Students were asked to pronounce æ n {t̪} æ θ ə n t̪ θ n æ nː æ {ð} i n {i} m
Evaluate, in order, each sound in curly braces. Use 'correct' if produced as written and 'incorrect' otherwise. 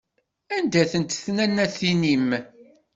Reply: incorrect, incorrect, correct

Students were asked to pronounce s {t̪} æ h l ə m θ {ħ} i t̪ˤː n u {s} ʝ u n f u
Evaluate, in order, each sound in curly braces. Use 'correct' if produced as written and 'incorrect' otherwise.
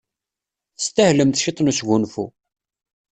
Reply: correct, incorrect, correct

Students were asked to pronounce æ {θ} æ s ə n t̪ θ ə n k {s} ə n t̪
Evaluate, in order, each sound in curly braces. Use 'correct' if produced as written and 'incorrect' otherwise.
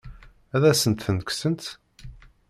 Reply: incorrect, correct

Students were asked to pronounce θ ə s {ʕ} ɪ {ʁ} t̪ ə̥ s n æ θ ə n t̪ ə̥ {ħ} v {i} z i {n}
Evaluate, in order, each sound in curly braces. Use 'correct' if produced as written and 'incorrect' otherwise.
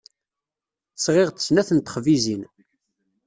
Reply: incorrect, correct, incorrect, correct, correct

